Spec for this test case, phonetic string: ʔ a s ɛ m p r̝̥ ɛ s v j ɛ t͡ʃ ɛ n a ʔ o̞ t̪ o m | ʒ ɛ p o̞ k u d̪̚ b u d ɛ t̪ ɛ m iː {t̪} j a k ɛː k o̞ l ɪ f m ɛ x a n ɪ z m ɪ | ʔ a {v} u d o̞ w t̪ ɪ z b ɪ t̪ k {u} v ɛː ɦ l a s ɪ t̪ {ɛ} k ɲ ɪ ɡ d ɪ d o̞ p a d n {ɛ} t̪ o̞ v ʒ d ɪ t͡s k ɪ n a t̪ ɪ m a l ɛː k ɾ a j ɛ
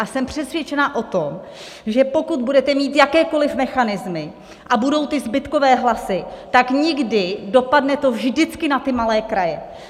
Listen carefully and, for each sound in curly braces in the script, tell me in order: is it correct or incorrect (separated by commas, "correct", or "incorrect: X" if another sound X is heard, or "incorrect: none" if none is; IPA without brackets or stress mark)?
correct, incorrect: b, incorrect: o, incorrect: a, correct